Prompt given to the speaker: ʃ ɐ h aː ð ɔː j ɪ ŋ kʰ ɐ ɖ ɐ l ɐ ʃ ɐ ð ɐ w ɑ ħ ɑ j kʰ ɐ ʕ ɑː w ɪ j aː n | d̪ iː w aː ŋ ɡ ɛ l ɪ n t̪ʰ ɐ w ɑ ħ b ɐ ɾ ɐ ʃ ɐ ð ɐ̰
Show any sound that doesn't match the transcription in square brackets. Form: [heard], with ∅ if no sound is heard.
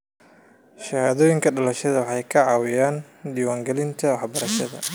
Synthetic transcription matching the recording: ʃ ɐ h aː ð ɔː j ɪ ŋ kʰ ɐ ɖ ɐ l ɐ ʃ ɐ ð ɐ w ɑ ħ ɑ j kʰ ɐ ʕ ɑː w ɪ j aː n | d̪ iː w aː ŋ ɡ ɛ l ɪ n t̪ʰ ɐ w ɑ ħ b ɐ ɾ ɐ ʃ ɐ ð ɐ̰